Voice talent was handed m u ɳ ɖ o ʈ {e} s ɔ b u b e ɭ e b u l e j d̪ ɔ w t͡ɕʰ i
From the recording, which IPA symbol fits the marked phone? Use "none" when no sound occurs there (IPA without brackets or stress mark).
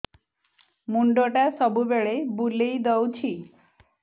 a